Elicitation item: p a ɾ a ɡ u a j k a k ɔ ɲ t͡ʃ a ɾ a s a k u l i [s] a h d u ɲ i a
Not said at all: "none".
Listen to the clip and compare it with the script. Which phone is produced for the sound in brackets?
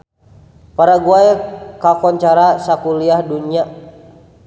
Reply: none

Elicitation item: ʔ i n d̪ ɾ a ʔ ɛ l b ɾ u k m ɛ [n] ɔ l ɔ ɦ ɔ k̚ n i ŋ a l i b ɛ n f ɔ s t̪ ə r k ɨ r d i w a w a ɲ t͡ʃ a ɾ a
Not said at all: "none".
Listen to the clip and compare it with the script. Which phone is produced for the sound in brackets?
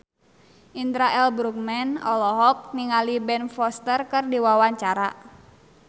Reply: n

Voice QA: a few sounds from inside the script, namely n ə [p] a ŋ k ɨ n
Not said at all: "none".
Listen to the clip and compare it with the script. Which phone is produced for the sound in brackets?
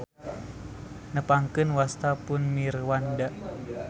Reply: p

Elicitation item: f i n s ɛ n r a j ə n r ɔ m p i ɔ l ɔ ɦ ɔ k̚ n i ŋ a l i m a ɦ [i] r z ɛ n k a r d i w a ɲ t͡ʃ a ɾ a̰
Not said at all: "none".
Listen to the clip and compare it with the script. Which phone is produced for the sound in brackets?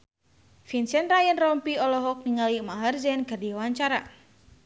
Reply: a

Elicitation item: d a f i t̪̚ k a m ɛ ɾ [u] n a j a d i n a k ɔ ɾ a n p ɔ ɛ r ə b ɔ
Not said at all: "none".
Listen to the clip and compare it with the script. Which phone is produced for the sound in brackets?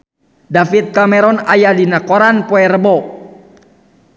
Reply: ɔ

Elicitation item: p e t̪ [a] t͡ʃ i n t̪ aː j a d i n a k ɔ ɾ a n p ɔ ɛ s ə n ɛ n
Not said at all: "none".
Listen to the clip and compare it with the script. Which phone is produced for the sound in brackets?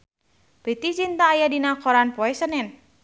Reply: i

